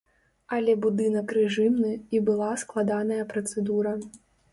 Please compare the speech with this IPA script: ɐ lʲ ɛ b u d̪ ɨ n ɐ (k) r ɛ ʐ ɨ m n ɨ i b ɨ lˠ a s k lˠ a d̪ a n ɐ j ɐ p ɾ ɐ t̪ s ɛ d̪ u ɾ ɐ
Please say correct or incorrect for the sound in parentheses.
correct